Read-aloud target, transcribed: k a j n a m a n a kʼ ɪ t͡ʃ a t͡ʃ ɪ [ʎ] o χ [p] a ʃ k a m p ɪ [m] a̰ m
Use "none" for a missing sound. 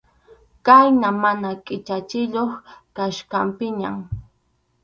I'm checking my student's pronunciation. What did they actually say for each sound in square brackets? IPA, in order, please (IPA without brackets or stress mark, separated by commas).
ʎ, k, ɲ